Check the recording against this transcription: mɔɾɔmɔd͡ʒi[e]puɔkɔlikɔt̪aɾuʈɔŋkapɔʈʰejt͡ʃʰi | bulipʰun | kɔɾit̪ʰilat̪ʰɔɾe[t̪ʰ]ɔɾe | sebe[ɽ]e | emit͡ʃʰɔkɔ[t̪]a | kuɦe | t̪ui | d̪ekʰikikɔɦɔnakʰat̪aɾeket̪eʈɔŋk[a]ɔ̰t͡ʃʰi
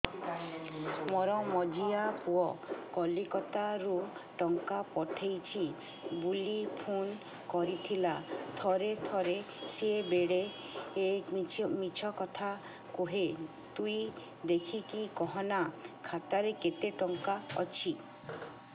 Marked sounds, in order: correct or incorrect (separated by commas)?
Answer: incorrect, correct, correct, incorrect, correct